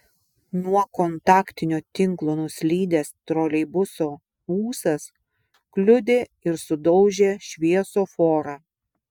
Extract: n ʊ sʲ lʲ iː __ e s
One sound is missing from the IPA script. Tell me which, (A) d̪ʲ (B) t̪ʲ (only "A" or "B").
A